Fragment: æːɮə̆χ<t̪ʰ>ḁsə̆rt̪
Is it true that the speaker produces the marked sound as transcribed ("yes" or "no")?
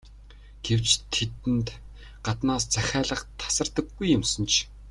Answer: yes